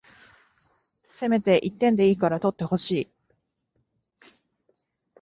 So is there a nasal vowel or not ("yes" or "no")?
yes